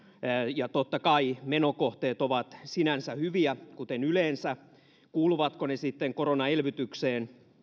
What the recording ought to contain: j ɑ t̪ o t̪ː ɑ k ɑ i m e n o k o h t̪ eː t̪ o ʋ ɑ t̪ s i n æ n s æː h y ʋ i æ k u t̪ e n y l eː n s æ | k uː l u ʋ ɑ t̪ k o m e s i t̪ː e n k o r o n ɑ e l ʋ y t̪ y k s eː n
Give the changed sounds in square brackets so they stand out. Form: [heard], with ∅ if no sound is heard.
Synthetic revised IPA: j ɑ t̪ o t̪ː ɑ k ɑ i m e n o k o h t̪ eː t̪ o ʋ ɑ t̪ s i n æ n s [æ] h y ʋ i æ k u t̪ e n y l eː n s æ | k uː l u ʋ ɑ t̪ k o [n] e s i t̪ː e [ŋ] k o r o n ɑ e l ʋ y t̪ y k s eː n